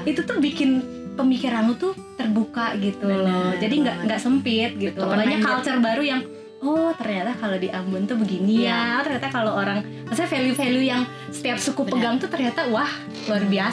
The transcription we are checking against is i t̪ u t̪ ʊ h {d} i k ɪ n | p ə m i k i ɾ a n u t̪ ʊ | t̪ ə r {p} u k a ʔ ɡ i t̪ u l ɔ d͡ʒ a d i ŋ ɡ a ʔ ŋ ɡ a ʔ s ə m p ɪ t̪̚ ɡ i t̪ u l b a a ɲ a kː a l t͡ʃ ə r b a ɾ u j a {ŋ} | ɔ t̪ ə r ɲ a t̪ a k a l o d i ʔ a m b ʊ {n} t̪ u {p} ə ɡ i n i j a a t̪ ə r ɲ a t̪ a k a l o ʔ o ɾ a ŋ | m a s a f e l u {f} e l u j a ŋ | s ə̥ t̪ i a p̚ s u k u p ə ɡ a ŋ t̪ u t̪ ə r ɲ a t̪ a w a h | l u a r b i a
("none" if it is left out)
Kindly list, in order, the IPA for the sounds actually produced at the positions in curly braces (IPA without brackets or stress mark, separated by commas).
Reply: b, b, ŋ, n, b, f